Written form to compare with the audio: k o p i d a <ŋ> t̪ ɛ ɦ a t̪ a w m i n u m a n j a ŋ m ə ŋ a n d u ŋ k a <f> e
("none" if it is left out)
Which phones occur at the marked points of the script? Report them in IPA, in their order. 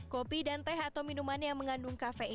n, f

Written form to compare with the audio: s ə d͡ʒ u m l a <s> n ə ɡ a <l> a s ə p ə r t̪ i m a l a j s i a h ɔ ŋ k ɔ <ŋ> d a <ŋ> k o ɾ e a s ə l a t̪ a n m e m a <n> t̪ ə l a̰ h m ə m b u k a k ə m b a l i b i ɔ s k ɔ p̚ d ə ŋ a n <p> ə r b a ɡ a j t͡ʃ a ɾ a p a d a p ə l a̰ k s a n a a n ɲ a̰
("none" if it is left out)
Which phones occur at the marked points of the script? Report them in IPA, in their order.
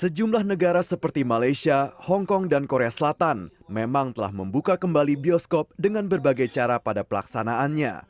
h, ɾ, ŋ, n, ŋ, b

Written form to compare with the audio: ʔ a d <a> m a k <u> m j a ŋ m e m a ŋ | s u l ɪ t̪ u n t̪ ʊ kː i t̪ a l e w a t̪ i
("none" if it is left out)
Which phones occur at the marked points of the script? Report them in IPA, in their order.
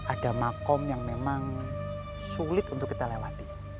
a, ɔ

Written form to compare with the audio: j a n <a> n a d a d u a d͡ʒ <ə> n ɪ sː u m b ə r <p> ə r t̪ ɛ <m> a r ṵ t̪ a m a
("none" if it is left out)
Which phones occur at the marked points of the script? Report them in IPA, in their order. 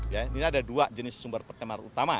i, ə, p, m

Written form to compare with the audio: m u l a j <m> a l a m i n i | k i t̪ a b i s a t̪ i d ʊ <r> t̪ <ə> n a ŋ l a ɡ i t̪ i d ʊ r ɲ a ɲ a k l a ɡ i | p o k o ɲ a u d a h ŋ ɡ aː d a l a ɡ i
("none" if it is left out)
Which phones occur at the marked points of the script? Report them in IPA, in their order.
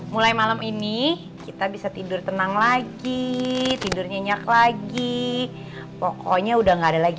m, r, ə

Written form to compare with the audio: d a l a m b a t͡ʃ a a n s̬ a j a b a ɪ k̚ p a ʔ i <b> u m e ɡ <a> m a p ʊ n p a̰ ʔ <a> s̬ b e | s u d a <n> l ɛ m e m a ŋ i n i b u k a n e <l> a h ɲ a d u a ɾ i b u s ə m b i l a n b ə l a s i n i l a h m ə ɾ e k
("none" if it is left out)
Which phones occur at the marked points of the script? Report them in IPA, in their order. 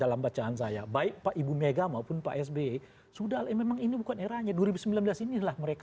b, a, ɛ, none, ɾ

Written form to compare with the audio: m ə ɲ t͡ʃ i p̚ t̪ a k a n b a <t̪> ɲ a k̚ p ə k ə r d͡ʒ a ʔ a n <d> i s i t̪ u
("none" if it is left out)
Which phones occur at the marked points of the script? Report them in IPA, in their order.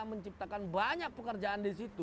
none, d

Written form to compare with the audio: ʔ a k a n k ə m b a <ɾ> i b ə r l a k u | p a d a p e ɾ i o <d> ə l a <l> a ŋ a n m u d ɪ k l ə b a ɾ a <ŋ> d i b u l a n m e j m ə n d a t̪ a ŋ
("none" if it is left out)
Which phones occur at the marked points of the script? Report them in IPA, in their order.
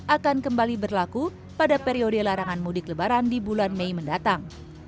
l, d, ɾ, n

